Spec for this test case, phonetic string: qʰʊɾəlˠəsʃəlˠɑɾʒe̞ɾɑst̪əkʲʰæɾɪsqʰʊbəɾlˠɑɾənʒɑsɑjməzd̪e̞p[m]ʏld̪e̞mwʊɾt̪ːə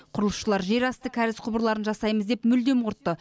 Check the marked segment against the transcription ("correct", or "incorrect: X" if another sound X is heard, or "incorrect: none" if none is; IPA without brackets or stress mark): correct